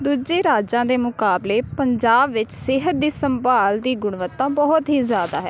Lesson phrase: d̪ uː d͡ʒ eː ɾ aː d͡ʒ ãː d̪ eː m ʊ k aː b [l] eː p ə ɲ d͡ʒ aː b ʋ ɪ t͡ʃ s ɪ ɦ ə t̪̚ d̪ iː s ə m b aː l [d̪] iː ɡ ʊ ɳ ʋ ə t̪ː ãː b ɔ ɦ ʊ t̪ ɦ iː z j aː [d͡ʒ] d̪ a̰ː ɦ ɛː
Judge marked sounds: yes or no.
yes, yes, no

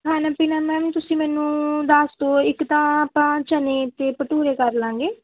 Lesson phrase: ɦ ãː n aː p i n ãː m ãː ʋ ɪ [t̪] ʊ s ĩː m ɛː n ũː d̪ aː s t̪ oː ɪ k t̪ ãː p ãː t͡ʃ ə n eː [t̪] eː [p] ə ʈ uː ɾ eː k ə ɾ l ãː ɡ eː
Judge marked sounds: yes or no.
yes, yes, yes

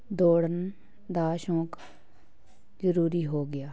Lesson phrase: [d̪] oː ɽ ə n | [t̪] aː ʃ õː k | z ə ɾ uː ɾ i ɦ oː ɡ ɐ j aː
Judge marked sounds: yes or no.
yes, no

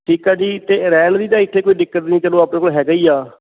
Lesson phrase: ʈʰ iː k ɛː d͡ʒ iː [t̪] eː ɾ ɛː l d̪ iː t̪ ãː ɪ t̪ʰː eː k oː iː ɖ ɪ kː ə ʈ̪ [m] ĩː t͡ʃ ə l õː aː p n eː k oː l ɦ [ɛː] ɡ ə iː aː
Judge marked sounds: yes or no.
yes, no, yes

